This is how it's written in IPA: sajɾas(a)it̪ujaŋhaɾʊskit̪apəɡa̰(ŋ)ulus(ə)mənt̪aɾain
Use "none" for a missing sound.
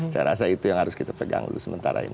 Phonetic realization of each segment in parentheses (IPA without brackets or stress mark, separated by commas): a, ŋ, ə